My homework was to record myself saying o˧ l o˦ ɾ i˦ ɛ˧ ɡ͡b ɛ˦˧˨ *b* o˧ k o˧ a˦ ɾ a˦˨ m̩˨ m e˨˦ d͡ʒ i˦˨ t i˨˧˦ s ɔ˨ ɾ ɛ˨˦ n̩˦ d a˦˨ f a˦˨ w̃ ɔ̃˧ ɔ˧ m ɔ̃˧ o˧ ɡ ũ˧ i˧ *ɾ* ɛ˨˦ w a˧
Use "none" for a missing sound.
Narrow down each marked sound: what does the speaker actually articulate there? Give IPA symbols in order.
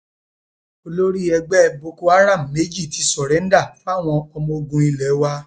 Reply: b, l

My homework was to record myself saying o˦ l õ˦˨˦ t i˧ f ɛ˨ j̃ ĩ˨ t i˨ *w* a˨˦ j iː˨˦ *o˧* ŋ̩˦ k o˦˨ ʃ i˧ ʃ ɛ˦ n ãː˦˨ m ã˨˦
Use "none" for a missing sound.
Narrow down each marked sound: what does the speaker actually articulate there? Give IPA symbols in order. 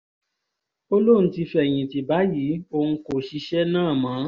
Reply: b, o˧

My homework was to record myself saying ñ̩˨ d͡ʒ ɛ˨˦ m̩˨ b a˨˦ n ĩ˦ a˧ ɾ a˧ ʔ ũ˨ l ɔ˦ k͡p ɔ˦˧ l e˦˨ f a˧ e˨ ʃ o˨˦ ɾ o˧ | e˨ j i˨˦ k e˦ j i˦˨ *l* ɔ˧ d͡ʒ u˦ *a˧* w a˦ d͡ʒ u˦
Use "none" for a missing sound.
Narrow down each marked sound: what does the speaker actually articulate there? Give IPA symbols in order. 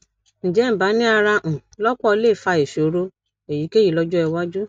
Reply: l, ɛ˧

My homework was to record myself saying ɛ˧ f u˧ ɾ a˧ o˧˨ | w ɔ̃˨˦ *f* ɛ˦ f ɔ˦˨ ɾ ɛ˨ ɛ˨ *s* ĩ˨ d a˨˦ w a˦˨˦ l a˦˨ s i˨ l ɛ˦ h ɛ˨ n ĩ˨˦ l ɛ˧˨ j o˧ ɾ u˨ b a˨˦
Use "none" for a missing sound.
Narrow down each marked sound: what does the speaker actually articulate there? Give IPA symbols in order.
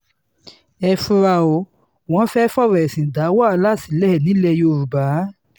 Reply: f, s

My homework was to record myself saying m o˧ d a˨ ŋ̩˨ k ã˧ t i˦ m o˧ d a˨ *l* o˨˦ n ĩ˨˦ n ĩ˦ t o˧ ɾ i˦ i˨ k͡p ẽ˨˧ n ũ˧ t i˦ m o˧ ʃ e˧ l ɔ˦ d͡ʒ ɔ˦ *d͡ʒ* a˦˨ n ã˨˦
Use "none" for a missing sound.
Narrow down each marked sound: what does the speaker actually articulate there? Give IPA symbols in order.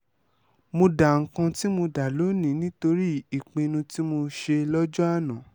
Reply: l, none

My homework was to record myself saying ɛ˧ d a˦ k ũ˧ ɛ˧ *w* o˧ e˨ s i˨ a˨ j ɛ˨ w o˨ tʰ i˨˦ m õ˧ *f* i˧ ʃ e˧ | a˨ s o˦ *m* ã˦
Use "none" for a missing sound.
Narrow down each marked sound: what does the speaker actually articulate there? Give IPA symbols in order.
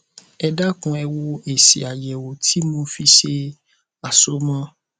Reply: w, f, m

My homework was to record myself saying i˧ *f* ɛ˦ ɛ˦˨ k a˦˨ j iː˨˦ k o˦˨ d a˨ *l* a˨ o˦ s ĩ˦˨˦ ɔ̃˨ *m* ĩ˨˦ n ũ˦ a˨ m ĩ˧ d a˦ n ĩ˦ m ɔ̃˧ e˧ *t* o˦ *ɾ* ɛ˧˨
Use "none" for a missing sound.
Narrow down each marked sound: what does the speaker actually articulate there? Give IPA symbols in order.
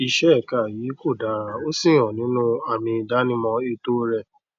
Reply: ʃ, ɾ, n, t, ɾ

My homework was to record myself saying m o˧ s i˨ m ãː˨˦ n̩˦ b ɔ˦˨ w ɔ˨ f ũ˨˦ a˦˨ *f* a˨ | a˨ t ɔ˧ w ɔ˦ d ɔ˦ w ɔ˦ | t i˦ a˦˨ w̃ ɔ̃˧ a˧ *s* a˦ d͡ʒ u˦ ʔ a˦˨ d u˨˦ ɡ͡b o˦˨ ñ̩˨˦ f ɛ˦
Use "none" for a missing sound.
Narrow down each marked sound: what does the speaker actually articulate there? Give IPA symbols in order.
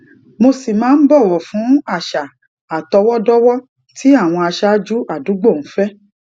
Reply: ʃ, ʃ

